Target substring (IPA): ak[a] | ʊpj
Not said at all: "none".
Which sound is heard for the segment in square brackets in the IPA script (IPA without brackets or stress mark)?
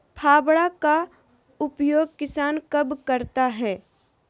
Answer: a